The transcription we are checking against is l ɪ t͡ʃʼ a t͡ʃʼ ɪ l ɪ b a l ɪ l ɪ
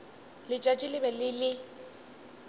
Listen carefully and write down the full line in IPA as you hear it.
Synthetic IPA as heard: l ɪ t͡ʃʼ a t͡ʃʼ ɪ l ɪ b ɛ l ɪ l ɪ